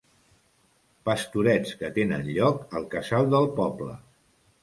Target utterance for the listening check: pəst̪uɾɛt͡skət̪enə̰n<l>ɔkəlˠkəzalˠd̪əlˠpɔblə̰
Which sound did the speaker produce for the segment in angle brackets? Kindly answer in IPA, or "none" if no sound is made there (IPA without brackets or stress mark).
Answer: ʎ